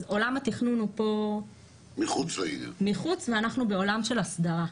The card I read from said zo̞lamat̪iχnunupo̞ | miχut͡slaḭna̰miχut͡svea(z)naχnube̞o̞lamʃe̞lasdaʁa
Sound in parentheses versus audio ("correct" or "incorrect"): incorrect